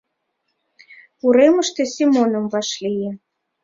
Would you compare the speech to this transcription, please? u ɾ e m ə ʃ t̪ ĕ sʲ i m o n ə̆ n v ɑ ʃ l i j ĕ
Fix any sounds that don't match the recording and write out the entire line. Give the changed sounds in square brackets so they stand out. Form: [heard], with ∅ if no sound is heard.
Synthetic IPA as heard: u ɾ e m ə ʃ t̪ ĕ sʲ i m o n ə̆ [m] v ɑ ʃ l i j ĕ